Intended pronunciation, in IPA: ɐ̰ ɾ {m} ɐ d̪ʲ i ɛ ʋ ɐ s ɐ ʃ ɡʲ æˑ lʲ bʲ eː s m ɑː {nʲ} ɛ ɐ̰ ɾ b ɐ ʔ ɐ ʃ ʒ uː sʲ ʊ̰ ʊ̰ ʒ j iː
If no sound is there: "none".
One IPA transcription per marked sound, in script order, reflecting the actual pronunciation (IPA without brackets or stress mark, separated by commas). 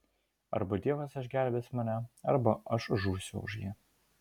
b, nʲ